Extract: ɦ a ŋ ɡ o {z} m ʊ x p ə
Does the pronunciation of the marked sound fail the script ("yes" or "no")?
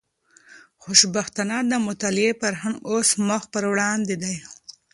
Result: yes